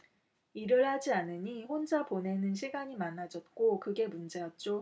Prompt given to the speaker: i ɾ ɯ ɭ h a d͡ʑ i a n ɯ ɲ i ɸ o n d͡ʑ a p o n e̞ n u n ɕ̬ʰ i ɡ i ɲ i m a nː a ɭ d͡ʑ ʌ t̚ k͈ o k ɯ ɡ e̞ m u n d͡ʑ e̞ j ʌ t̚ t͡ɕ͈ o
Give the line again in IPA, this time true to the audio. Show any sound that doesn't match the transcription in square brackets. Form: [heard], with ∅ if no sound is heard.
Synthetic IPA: i ɾ ɯ ɭ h a d͡ʑ i a n ɯ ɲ i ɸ o n d͡ʑ a p o n e̞ n [ɯ] n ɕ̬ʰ i ɡ [a] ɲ i m a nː a [∅] d͡ʑ ʌ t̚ k͈ o k ɯ ɡ e̞ m u n d͡ʑ e̞ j ʌ t̚ t͡ɕ͈ o